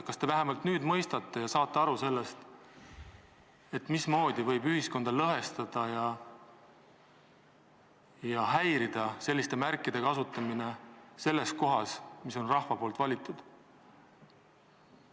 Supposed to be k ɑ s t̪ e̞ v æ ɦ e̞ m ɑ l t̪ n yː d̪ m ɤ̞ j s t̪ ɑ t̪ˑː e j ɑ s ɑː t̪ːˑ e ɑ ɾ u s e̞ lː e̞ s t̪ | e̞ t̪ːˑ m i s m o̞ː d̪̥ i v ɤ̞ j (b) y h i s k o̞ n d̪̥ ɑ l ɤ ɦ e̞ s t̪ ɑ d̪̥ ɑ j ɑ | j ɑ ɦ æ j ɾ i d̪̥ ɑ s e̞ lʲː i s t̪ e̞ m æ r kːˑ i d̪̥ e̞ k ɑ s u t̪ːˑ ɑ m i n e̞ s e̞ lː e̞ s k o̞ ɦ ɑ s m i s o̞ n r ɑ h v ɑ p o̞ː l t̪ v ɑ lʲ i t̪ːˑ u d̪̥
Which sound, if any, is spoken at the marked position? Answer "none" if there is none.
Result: b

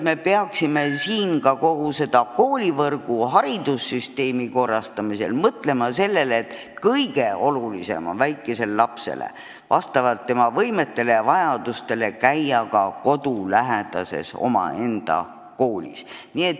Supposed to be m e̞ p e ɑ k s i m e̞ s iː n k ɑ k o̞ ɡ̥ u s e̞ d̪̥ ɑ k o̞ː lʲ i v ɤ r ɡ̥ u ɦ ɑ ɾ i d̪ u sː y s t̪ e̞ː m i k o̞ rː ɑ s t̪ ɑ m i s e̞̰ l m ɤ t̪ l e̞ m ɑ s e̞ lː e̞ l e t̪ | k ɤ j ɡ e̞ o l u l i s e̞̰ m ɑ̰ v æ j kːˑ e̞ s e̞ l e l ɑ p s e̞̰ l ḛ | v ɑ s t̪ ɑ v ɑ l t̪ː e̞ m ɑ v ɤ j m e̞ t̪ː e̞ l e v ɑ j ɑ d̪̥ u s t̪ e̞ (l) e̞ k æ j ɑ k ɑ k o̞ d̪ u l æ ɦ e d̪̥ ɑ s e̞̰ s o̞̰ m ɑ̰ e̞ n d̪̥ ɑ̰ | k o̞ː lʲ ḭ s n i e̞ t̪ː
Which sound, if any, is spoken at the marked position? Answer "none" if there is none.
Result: l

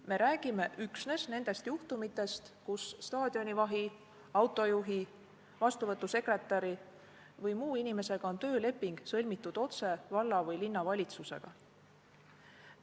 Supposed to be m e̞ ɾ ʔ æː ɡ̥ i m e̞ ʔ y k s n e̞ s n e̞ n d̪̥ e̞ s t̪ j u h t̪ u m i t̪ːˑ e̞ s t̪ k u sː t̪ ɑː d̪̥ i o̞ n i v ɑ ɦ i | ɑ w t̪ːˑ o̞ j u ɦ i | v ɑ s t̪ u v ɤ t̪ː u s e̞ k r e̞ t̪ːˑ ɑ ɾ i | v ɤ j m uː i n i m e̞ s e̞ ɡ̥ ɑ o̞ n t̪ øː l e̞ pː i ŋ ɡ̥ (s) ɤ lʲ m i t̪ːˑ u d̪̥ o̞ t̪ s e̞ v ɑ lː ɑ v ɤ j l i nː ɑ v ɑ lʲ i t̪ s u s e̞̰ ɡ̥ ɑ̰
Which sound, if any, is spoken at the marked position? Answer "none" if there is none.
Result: s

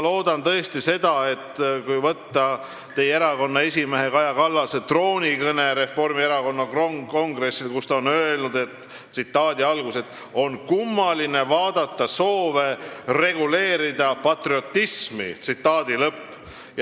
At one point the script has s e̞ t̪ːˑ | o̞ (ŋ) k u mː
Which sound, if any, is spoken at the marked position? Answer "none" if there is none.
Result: n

